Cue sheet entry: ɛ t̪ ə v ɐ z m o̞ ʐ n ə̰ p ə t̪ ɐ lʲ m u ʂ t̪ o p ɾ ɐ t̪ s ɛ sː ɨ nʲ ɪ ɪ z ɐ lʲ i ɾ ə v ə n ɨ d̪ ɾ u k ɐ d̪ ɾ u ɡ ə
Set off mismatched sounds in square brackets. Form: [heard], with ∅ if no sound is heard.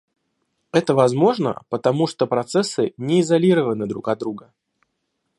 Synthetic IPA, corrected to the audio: ɛ t̪ ə v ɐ z m o̞ ʐ n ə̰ p ə t̪ ɐ [∅] m u ʂ t̪ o p ɾ ɐ t̪ s ɛ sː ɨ nʲ ɪ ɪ z ɐ lʲ i ɾ ə v ə n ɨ d̪ ɾ u k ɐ d̪ ɾ u ɡ ə